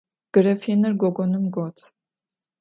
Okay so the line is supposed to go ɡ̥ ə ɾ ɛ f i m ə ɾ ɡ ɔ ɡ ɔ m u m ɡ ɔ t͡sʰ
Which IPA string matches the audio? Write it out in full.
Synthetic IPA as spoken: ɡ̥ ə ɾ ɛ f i n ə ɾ ɡ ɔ ɡ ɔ n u m ɡ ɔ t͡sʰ